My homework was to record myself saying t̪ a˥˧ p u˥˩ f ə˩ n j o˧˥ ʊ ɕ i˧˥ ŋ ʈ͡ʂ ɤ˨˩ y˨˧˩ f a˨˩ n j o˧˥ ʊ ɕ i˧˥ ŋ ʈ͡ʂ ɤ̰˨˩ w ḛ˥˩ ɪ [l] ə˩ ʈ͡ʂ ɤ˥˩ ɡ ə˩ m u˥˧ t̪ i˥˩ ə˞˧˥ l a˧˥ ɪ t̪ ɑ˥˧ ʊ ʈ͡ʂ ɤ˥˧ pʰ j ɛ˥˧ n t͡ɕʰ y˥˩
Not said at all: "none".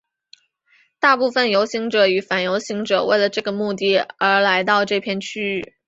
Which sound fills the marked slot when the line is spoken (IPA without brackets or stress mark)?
l